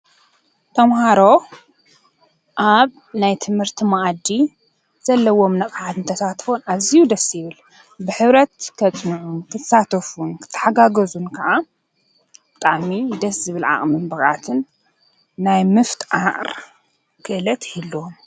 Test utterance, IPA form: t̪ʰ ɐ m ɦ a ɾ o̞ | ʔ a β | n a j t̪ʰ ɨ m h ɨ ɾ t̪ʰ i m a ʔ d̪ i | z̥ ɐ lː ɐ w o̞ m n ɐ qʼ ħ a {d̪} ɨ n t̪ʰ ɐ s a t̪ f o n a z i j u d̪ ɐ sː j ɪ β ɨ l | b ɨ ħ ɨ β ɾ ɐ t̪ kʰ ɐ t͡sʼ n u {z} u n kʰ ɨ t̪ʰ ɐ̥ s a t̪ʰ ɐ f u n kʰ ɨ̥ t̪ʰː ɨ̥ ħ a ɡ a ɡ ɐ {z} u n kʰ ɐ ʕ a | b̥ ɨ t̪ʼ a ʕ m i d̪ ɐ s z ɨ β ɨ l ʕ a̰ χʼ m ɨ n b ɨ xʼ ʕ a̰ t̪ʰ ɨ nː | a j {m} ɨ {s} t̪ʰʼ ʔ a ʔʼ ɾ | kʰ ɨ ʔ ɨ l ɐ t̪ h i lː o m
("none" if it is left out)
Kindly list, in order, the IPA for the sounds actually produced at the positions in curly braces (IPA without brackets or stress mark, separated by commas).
t̪, ʕ, z, m, f